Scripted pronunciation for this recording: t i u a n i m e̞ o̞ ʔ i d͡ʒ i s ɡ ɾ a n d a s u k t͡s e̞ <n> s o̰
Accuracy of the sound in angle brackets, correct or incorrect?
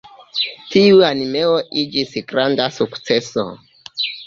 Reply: incorrect